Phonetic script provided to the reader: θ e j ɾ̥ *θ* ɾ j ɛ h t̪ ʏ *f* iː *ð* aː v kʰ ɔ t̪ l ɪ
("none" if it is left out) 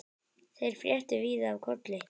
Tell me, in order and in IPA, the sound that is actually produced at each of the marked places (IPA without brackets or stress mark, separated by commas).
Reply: f, v, ð